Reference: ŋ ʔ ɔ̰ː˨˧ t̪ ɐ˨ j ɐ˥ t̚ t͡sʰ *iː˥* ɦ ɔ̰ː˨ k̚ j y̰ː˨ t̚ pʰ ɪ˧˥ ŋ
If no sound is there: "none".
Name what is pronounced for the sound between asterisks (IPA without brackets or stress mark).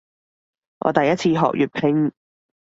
iː˧